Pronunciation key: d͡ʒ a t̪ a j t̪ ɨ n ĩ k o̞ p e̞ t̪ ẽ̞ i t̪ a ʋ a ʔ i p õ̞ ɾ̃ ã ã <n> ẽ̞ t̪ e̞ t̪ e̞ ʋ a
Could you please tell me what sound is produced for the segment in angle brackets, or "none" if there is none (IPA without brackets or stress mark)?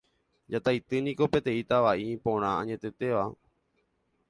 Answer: ɲ